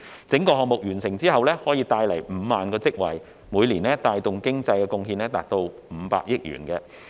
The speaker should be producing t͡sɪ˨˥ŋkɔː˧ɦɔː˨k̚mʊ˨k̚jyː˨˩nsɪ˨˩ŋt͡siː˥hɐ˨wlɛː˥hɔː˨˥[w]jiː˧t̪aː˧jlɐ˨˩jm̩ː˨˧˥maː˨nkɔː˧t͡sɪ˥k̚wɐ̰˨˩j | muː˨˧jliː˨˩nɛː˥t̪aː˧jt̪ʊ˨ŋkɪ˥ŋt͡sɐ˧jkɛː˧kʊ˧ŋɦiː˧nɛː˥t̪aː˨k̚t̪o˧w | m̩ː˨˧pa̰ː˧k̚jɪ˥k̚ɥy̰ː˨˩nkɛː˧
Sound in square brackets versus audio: incorrect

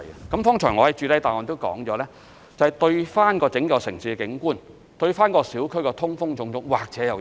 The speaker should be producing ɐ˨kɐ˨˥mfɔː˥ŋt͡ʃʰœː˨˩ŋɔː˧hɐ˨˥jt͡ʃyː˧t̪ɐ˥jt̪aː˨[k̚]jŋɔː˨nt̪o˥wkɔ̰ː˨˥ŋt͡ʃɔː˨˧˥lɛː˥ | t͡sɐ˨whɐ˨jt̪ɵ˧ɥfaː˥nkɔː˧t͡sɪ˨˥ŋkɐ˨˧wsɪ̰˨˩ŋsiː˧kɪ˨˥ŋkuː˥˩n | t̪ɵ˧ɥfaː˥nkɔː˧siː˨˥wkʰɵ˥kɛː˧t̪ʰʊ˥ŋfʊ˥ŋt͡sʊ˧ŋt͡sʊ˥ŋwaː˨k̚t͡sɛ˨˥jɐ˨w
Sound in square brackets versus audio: incorrect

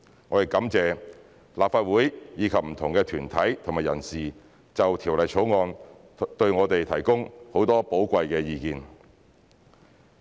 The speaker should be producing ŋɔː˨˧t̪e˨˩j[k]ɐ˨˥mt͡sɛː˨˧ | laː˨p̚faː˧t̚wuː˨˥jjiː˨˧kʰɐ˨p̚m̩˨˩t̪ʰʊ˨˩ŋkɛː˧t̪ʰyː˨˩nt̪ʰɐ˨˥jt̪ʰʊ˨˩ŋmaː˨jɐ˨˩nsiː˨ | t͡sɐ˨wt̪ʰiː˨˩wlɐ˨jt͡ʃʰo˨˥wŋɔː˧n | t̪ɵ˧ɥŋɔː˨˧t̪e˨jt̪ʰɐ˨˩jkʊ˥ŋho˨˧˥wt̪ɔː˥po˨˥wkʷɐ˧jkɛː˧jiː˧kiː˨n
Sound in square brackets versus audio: correct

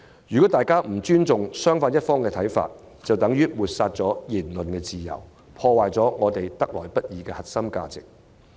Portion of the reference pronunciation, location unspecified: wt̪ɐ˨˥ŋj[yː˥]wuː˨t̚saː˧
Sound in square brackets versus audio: correct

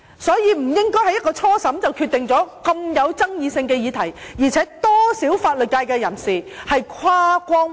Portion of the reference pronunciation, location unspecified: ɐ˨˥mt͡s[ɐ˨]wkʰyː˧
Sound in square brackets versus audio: correct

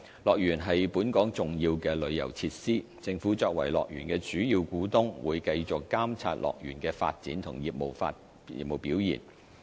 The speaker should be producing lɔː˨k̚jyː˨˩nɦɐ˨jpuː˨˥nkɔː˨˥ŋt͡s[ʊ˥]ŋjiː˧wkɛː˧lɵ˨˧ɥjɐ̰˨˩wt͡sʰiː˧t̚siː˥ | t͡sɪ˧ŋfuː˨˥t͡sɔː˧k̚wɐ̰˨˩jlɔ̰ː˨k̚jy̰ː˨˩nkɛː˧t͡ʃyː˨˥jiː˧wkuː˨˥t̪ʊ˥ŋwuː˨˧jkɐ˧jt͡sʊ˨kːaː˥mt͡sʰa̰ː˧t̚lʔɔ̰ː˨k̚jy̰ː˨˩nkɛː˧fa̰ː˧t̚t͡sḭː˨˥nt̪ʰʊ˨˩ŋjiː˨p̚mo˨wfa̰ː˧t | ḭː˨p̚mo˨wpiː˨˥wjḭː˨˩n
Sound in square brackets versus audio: incorrect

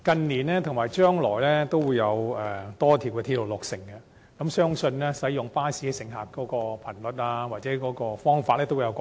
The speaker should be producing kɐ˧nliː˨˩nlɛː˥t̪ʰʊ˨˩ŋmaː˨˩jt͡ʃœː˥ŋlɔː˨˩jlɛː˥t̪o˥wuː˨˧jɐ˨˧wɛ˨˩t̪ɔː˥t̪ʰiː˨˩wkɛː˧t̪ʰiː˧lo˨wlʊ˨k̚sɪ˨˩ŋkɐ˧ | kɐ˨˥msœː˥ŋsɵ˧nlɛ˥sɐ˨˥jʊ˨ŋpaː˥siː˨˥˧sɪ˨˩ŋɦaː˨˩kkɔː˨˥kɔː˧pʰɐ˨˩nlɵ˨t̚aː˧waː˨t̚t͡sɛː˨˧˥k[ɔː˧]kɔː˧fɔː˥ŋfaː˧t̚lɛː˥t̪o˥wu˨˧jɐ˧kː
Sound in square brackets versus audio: incorrect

